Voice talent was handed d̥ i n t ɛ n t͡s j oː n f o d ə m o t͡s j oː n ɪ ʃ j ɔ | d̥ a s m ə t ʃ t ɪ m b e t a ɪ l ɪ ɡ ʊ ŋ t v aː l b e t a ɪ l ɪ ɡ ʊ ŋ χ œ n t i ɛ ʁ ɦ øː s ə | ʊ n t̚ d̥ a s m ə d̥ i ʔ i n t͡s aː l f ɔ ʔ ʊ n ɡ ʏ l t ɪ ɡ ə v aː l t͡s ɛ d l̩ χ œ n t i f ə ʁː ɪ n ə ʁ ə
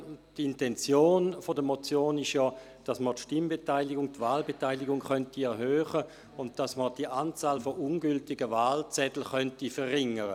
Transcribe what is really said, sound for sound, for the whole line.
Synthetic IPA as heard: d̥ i n t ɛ n t͡s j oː n f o d ə m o t͡s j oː n ɪ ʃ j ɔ | d̥ a s m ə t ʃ t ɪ m b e t a ɪ l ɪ ɡ ʊ ŋ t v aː l b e t a ɪ l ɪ ɡ ʊ ŋ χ œ n t i ɛ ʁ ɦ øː χ ə | ʊ n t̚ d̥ a s m ə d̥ i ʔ a n t͡s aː l f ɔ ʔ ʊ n ɡ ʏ l t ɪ ɡ ə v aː l t͡s ɛ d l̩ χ œ n t i f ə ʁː ɪ ŋ ə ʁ ə